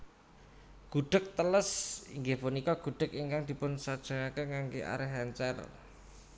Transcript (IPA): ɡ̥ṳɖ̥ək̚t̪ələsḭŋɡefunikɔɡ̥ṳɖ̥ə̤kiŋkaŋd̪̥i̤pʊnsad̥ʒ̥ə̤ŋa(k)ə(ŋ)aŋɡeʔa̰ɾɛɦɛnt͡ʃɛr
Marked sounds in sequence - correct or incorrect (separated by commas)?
correct, correct